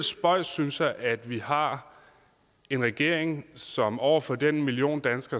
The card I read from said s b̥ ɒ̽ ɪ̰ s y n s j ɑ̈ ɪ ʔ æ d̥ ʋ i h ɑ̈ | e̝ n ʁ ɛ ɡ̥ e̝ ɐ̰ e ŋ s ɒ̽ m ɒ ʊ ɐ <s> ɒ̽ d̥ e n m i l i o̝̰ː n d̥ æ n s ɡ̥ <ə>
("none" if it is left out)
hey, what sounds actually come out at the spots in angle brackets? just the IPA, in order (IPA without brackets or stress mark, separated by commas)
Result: f, ɐ